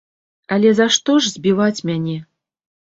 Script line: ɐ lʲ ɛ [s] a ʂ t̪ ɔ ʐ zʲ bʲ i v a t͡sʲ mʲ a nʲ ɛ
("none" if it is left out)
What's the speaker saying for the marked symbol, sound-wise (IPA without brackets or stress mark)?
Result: z